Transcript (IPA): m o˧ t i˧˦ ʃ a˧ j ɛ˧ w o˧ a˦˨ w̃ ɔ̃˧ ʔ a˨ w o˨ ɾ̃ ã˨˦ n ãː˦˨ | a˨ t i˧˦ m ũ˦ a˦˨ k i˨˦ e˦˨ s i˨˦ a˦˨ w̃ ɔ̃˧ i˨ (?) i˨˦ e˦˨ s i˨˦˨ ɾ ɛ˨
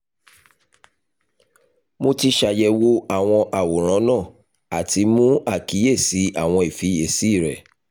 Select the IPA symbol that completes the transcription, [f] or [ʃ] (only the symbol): f